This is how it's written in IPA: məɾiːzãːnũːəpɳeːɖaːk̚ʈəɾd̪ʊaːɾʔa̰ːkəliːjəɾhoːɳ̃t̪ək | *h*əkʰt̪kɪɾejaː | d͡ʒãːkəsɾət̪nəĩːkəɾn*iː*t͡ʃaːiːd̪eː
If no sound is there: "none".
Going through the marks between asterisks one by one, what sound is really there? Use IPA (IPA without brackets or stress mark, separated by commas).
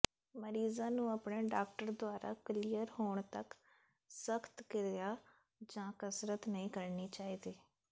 s, iː